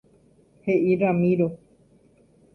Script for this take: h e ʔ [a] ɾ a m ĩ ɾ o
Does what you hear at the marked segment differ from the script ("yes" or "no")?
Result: yes